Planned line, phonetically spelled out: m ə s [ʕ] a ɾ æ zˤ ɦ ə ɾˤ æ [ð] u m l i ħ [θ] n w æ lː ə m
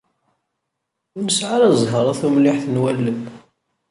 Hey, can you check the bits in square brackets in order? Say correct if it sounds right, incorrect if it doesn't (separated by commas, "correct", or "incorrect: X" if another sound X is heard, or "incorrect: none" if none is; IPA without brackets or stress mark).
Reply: correct, incorrect: θ, correct